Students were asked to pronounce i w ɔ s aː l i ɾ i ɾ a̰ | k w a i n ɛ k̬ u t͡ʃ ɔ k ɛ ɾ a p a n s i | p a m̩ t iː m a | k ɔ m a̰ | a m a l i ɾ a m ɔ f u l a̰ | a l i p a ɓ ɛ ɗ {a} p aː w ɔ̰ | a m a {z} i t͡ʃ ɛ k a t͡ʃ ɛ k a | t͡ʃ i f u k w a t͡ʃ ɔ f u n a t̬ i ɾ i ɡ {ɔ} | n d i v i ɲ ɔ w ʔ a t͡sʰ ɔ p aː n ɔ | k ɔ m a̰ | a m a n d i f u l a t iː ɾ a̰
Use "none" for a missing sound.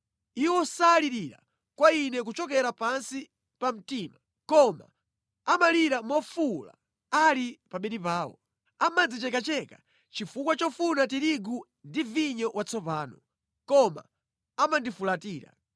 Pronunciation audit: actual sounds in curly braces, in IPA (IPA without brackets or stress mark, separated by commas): i, d͡z, u